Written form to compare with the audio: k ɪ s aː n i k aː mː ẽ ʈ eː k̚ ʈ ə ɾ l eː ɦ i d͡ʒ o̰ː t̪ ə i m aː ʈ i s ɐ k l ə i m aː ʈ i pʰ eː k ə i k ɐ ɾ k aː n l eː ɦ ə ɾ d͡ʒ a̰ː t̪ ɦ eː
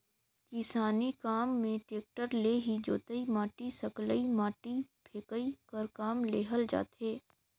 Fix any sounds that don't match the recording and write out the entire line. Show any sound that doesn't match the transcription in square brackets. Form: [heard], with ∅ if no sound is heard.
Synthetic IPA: k ɪ s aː n i k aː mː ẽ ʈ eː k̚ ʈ ə ɾ l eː ɦ i d͡ʒ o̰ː t̪ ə i m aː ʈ i s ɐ k l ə i m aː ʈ i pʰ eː k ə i k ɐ ɾ k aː [m] l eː ɦ ə [l] d͡ʒ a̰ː t̪ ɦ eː